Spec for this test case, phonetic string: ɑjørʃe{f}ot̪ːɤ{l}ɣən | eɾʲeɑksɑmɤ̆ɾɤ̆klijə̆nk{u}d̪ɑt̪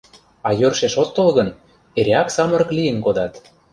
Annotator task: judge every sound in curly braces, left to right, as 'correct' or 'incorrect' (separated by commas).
incorrect, correct, incorrect